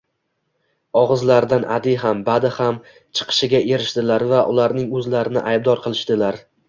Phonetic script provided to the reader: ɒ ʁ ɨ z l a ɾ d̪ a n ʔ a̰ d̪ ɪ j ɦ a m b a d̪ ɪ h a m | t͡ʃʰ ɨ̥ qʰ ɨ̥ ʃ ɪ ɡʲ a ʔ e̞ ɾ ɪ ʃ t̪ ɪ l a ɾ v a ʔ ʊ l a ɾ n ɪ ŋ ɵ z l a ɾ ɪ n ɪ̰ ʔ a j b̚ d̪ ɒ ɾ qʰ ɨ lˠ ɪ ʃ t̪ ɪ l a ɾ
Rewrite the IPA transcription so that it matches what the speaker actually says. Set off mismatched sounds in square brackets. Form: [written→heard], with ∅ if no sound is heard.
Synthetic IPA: ɒ ʁ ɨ z l a ɾ d̪ a n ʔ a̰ d̪ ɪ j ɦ a m b a d̪ ɪ h a m | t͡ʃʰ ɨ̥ qʰ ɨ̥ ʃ ɪ ɡʲ a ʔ e̞ ɾ ɪ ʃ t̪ ɪ l a ɾ v a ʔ ʊ l a ɾ n ɪ ŋ ɵ z l a ɾ ɪ n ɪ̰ ʔ a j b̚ d̪ ɒ ɾ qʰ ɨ lˠ ɪ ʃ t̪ ɪ l a ɾ